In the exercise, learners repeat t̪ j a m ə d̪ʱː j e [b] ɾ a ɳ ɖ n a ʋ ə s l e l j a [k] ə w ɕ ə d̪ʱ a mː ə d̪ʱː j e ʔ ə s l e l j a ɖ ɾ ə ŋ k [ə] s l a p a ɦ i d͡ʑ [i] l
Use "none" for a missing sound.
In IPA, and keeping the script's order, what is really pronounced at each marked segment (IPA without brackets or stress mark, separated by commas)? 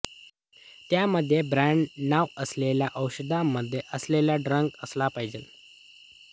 b, ʔ, ə, e